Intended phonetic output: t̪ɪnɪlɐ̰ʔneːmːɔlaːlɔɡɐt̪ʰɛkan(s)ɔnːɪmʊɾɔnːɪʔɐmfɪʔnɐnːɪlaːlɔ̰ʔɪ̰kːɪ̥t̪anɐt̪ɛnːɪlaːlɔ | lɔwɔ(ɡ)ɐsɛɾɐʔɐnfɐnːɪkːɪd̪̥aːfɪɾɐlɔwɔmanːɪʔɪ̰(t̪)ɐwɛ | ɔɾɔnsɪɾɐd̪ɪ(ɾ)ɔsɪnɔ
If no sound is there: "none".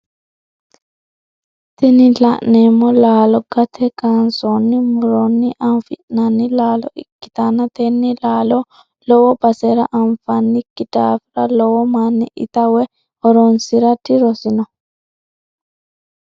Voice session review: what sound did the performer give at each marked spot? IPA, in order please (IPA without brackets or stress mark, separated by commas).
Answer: s, b, t̪, ɾ